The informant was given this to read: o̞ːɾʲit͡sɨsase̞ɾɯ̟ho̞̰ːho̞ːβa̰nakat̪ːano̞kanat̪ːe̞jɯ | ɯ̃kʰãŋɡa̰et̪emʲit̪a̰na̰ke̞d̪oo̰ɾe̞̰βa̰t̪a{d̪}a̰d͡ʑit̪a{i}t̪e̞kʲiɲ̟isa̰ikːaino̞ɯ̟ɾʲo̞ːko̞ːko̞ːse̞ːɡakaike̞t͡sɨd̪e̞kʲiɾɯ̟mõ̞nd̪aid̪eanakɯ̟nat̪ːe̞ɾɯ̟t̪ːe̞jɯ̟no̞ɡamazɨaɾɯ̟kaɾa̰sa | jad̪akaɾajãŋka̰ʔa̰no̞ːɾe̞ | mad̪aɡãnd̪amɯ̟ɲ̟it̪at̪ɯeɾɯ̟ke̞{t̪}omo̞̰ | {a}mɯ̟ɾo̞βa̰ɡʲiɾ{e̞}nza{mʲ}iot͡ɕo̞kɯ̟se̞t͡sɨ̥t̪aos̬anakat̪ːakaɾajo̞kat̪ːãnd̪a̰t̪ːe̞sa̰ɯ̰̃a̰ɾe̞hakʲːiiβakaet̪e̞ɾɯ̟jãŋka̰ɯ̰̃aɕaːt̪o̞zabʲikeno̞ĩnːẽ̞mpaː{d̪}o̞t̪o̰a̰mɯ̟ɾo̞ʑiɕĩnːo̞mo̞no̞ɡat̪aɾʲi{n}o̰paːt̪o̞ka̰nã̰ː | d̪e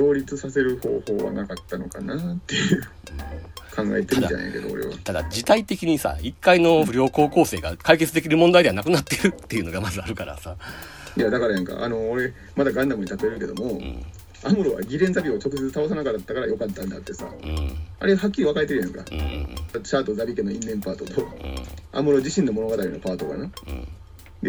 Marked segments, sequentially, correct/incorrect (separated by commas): correct, correct, incorrect, correct, incorrect, incorrect, incorrect, correct